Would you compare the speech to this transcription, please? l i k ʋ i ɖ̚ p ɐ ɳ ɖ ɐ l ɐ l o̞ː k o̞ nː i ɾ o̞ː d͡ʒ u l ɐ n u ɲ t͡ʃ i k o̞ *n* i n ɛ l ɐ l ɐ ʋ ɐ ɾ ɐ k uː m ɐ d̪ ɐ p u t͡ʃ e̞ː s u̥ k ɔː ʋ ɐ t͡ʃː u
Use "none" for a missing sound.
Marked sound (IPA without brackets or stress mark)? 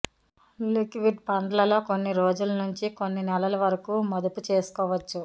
nː